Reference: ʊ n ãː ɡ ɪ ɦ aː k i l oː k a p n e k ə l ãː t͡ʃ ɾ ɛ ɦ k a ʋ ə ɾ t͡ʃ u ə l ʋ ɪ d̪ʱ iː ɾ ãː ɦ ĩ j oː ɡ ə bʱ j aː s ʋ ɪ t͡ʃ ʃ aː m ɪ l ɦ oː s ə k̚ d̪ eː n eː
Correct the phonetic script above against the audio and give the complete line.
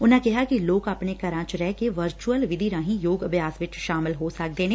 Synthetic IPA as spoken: ʊ n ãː k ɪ ɦ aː k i l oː k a p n e k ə ɾ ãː t͡ʃ ɾ ɛ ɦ k e ʋ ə ɾ t͡ʃ u ə l ʋ ɪ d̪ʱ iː ɾ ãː ɦ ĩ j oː ɡ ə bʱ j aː s ʋ ɪ t͡ʃ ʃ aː m ɪ l ɦ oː s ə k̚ d̪ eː n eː

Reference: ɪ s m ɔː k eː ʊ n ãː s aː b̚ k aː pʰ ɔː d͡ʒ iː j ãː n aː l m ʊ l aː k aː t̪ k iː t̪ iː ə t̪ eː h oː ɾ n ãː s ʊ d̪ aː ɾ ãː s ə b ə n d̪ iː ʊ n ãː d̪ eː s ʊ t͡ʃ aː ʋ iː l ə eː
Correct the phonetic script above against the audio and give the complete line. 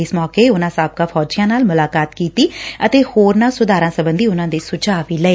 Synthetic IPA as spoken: ɪ s m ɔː k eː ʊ n ãː s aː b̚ k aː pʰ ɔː d͡ʒ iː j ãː n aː l m ʊ l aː k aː t̪ k iː t̪ iː ə t̪ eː h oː ɾ n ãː s ʊ d̪ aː ɾ ãː s ə b ə n d̪ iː ʊ n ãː d̪ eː s ʊ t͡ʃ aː ʋ iː l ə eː

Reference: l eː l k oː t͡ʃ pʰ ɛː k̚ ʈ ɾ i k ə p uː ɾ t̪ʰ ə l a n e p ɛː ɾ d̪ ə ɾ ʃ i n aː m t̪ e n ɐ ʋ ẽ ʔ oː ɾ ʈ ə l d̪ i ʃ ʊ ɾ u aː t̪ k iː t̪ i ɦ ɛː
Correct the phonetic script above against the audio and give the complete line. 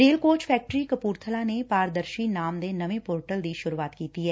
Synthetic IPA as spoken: ɾ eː l k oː t͡ʃ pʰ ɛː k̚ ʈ ɾ i k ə p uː ɾ t̪ʰ ə l a n e p aː ɾ d̪ ə ɾ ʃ i n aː m d̪ e n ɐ ʋ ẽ p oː ɾ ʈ ə l d̪ i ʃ ʊ ɾ u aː t̪ k iː t̪ i ɦ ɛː

